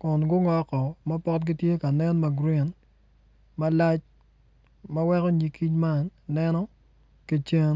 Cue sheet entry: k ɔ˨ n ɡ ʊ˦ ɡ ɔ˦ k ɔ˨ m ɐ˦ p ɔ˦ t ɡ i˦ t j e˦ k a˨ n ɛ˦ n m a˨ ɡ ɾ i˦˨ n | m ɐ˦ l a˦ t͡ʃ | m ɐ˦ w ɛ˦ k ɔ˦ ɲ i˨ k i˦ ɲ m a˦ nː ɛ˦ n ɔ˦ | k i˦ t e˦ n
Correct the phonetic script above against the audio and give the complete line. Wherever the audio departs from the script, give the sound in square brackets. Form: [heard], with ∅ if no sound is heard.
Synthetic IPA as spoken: k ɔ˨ n ɡ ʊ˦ [ŋ] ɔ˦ k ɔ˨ m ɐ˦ p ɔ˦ t ɡ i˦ t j e˦ k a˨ n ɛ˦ n m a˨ ɡ ɾ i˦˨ n | m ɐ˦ l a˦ t͡ʃ | m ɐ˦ w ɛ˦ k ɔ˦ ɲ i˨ k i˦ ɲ m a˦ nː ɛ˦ n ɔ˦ | k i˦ [t͡ʃ] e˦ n